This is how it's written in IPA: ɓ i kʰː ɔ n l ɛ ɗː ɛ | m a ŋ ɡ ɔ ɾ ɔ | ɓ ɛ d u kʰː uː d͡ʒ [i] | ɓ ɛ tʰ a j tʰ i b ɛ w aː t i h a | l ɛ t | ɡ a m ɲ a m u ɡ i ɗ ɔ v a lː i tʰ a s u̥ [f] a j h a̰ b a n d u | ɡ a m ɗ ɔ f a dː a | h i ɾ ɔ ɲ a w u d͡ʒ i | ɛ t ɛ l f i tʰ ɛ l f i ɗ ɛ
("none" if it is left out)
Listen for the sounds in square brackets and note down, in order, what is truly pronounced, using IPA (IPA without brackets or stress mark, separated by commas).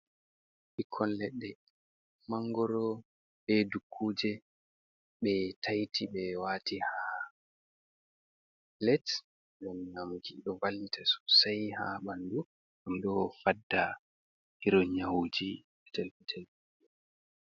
ɛ, s